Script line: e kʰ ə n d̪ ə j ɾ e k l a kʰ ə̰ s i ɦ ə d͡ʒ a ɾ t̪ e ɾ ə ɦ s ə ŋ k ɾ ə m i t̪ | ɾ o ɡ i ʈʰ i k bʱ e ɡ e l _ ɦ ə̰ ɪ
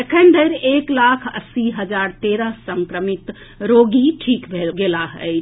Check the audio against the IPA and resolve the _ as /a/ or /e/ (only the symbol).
a